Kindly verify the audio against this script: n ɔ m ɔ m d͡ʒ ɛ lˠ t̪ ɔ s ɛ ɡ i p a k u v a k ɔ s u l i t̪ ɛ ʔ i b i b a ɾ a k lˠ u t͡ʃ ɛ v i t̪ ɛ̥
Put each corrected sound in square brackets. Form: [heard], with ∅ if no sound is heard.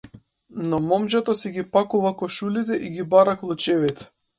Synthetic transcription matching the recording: n ɔ m ɔ m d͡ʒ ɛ [∅] t̪ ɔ s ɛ ɡ i p a k u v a k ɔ [ʃ] u l i t̪ ɛ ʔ i [ɡ] i b a ɾ a k lˠ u t͡ʃ ɛ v i t̪ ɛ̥